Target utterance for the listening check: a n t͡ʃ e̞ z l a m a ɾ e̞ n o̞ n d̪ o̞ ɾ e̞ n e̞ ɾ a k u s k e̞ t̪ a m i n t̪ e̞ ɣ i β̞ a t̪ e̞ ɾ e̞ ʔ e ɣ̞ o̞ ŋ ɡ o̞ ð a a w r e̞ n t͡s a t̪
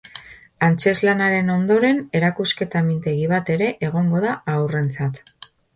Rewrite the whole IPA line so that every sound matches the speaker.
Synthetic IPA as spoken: a n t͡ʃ e̞ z l a n a ɾ e̞ n o̞ n d̪ o̞ ɾ e̞ n e̞ ɾ a k u s k e̞ t̪ a m i n t̪ e̞ ɣ i β̞ a t̪ e̞ ɾ e̞ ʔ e ɣ̞ o̞ ŋ ɡ o̞ ð a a w r e̞ n t͡s a t̪